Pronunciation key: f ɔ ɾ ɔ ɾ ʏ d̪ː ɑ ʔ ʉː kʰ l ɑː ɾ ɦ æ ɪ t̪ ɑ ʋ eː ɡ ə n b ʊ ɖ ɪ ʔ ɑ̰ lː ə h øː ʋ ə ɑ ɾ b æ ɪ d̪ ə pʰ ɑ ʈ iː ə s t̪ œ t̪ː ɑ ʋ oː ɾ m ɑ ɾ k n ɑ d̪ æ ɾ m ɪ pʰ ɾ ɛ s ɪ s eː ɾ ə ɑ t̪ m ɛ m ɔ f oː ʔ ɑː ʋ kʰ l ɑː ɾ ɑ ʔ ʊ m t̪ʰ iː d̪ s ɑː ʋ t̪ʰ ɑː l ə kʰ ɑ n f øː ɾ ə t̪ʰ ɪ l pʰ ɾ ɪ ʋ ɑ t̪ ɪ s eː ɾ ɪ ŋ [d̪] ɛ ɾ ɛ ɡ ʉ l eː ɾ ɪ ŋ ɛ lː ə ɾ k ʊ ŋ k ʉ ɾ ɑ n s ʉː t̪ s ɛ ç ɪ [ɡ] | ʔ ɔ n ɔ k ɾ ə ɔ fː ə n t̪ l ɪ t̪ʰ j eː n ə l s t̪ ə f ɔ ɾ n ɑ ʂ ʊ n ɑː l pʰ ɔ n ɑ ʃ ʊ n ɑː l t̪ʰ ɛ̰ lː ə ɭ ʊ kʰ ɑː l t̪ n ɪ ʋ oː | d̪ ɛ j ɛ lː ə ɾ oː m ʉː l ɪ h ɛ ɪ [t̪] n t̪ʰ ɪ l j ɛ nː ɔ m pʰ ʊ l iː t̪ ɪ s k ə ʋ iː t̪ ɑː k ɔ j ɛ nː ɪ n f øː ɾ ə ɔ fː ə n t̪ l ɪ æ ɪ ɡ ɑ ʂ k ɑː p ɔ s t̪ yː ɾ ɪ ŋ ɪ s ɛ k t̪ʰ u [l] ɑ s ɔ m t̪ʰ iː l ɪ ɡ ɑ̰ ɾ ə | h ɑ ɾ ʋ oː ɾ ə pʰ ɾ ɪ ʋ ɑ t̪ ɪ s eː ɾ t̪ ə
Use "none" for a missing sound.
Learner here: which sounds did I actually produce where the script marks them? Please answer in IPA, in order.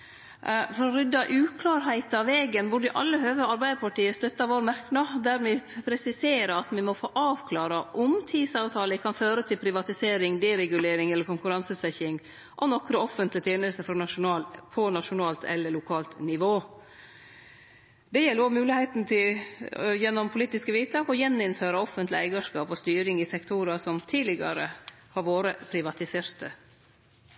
d̪, ŋ, t̪, ɾ

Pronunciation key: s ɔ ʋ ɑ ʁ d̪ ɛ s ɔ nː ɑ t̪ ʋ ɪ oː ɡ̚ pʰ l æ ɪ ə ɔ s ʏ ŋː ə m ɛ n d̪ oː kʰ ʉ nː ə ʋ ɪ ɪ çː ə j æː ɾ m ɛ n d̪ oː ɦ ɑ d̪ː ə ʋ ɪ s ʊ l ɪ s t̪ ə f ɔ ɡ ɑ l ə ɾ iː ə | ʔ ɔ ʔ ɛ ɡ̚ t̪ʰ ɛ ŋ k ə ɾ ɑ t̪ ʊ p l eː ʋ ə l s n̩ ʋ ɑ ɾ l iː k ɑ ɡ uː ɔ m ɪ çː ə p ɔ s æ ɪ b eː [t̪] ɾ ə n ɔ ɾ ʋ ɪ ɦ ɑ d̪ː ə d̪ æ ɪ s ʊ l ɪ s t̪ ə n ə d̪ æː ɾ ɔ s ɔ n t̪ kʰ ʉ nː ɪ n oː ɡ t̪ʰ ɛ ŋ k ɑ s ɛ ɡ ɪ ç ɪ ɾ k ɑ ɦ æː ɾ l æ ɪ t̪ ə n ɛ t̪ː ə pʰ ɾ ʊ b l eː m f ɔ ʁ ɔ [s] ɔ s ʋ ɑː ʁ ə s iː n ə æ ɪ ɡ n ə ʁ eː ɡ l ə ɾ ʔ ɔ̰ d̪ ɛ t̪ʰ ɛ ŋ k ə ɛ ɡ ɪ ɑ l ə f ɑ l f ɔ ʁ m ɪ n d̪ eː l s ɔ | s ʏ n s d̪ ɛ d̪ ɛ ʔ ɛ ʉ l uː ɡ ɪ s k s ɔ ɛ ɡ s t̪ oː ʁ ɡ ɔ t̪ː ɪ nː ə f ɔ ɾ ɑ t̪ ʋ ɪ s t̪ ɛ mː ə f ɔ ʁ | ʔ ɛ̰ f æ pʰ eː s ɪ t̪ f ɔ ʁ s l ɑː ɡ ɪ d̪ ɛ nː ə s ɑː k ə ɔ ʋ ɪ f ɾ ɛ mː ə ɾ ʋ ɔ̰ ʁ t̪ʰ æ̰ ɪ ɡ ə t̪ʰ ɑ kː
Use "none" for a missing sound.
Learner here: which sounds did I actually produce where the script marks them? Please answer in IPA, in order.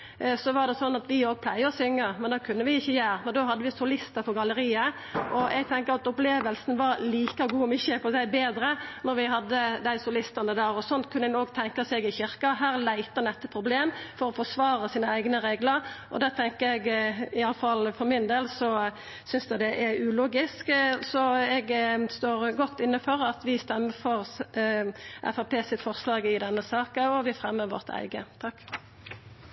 d̪, f

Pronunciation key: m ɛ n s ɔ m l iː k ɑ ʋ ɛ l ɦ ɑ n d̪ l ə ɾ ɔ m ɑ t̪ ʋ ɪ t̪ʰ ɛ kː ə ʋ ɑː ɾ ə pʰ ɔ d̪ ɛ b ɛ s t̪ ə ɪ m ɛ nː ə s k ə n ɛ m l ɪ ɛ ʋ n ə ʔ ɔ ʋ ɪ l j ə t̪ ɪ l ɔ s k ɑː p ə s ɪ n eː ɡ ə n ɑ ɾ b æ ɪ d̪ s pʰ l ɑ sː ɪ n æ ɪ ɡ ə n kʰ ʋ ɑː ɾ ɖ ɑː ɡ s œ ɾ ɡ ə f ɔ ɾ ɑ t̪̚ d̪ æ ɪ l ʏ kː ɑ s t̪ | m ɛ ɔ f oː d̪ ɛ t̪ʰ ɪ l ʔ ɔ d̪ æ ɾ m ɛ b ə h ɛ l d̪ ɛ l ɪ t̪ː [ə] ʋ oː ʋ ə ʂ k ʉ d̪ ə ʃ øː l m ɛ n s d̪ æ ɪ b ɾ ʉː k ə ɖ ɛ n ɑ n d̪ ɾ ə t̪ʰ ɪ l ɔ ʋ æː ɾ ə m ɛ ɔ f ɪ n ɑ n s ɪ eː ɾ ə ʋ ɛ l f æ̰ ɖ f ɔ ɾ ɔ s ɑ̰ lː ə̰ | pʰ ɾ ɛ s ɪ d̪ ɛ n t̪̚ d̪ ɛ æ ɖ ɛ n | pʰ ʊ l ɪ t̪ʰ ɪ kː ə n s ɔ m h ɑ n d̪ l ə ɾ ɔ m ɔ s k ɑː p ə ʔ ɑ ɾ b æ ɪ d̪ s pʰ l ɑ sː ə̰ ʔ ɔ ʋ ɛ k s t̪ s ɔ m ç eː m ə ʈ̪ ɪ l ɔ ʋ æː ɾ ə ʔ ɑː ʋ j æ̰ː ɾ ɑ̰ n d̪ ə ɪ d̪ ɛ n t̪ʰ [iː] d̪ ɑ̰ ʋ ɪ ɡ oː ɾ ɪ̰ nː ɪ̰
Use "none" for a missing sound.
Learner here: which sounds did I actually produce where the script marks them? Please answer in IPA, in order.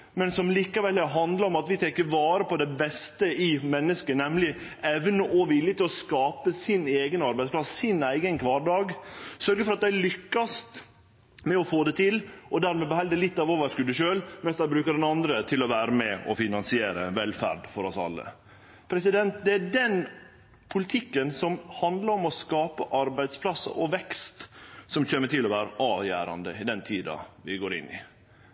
ɑ, iː

